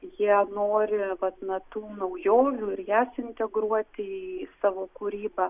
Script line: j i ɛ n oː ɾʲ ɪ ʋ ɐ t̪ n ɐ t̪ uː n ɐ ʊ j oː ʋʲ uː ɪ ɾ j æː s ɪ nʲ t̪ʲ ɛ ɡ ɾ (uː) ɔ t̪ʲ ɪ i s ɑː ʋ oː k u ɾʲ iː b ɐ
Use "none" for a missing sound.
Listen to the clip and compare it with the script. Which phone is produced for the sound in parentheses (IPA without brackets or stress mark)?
u